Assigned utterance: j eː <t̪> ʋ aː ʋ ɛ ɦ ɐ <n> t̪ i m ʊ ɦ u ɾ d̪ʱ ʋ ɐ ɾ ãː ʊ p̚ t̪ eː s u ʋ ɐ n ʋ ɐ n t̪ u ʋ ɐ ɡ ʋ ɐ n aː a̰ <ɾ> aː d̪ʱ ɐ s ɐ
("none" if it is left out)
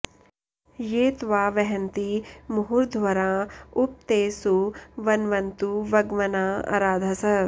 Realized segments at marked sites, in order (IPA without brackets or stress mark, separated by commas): t̪, n, ɾ